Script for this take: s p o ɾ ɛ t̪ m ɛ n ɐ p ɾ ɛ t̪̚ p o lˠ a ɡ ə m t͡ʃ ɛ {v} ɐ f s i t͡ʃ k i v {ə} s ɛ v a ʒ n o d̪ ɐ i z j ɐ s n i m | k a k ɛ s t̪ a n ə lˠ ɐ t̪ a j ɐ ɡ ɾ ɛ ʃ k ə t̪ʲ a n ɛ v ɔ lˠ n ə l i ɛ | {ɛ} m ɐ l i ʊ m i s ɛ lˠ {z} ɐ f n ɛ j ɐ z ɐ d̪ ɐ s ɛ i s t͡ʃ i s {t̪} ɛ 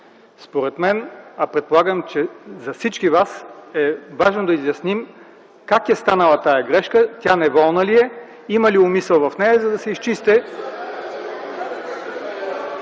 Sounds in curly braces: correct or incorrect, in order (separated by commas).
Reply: incorrect, incorrect, incorrect, incorrect, correct